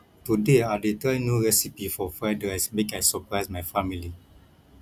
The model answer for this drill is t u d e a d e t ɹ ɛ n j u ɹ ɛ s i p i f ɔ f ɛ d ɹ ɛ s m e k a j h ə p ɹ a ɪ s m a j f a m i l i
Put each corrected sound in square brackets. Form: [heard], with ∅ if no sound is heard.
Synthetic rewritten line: t u d e a d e t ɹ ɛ n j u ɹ ɛ s i p i f ɔ f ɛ d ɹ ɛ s m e k a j [s] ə p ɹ a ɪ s m a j f a m i l i

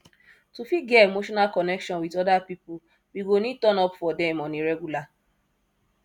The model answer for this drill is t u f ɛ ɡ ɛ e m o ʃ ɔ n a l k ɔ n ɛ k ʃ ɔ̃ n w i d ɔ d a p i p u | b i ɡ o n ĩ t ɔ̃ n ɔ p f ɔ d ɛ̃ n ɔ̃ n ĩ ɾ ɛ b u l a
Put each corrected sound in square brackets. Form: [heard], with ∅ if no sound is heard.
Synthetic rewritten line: t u f [i] ɡ ɛ e m o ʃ ɔ n a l k ɔ n ɛ k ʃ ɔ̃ n w i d ɔ d a p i p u | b i ɡ o n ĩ t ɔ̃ n ɔ p f ɔ d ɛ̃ [m] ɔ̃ n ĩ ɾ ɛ [ɡ] u l a

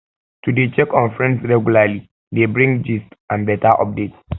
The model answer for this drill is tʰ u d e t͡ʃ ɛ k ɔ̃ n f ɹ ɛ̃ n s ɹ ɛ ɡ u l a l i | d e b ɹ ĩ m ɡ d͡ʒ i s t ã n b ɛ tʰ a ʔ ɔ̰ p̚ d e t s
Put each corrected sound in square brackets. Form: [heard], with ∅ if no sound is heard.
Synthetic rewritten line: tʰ u d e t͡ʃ ɛ k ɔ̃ n f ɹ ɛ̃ n s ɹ ɛ ɡ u l a l i | d e b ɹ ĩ [ŋ] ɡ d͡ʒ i s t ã n b ɛ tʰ a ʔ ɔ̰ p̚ d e t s

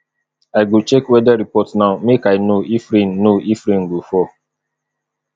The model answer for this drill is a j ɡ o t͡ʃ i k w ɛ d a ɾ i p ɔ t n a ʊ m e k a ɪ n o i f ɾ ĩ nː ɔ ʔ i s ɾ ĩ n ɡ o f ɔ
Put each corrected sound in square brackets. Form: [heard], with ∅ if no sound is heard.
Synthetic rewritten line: a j ɡ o t͡ʃ [ɛ] k w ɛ d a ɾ i p ɔ t n a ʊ m e k a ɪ n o i f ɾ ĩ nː [o] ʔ i [f] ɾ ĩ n ɡ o f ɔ

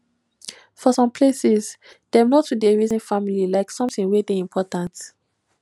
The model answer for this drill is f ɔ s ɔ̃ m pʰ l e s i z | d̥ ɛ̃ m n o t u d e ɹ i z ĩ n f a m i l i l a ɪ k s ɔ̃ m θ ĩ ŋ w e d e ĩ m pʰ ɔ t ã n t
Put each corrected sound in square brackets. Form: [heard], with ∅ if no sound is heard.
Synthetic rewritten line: f ɔ s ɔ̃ m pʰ l e s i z | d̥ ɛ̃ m n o t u d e ɹ i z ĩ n f a m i l i l a ɪ k s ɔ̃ m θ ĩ ŋ w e d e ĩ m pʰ ɔ t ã n t

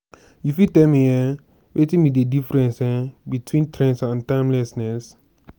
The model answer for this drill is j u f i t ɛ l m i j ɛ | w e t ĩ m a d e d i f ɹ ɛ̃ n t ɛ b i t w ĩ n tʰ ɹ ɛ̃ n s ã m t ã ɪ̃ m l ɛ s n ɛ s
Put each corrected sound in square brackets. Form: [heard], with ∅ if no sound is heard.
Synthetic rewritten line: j u f i t ɛ l m i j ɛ | w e t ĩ m [i] d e d i f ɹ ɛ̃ n [s] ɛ b i t w ĩ n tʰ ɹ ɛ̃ n s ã [n] t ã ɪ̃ m l ɛ s n ɛ s

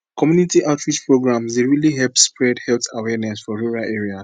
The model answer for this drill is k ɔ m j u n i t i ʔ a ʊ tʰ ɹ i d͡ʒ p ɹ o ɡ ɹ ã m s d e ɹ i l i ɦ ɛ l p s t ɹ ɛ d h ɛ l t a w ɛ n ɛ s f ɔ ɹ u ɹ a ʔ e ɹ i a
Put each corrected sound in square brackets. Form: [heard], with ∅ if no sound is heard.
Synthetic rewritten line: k ɔ m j u n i t i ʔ a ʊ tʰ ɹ i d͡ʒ p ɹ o ɡ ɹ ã m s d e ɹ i l i ɦ ɛ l p s [p] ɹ ɛ d h ɛ l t a w ɛ n ɛ s f ɔ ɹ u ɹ a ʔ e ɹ i a

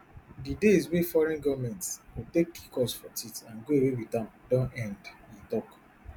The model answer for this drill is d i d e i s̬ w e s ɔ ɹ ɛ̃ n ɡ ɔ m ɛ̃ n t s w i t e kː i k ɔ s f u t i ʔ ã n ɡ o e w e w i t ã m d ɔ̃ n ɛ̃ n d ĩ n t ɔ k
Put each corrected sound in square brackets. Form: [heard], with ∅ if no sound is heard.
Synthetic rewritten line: d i d e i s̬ w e [f] ɔ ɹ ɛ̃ n ɡ ɔ m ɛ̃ n t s w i t e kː i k ɔ s f [ɔ] t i [t] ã n ɡ o e w e w i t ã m d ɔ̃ n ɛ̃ n d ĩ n t ɔ k

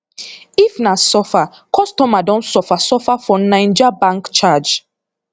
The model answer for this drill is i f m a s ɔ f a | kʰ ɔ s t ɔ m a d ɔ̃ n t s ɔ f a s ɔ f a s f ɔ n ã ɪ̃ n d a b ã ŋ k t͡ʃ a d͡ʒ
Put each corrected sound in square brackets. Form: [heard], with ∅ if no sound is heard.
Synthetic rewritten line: i f [n] a s ɔ f a | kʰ ɔ s t ɔ m a d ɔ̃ n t s ɔ f a s ɔ f a [∅] f ɔ n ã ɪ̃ n [d͡ʒ] a b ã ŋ k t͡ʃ a d͡ʒ

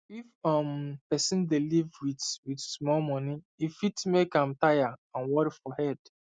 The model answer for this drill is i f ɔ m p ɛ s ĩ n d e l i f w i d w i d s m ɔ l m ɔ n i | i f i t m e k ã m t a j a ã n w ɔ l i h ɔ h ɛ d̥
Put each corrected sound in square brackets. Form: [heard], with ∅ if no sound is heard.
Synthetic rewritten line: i f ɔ m p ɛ s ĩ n d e l i [v] w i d w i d s m ɔ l m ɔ n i | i f i t m e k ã m t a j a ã n w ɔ [ɾ] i [f] ɔ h ɛ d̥

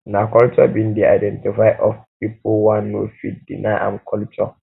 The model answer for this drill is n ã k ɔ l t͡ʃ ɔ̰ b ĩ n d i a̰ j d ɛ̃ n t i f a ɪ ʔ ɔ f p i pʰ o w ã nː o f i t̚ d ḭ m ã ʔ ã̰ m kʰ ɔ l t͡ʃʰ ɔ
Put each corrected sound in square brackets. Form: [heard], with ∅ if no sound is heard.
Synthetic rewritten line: n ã k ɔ l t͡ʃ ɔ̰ b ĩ n d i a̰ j d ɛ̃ n t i f a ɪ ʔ ɔ f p i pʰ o w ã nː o f i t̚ d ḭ [n] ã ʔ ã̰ m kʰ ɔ l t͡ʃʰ ɔ

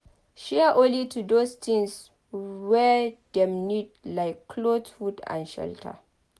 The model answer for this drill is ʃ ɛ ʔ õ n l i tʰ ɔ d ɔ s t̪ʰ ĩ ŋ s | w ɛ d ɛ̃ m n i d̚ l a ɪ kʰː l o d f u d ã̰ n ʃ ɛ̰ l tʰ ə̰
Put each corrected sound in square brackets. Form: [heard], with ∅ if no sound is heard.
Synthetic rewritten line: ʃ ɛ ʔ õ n l i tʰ [u] d [o] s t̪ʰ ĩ ŋ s | w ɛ d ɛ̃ m n i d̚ l a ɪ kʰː l o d f u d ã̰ n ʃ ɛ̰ l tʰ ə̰

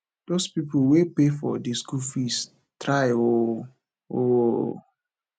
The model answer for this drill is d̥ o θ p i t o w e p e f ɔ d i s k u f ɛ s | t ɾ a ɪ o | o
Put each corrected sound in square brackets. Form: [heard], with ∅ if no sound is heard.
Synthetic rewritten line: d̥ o [s] p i [p] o w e p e f ɔ d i s k u f [i] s | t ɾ a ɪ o | o

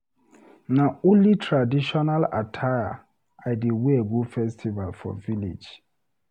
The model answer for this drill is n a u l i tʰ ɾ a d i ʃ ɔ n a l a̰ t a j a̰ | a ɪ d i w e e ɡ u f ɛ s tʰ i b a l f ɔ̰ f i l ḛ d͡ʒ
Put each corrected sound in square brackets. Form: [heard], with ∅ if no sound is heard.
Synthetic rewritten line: n a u l i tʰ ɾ a d i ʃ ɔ n a l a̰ [tʰ] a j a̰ | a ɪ d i w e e ɡ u f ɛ s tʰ i [v] a l f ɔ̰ [v] i l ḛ d͡ʒ

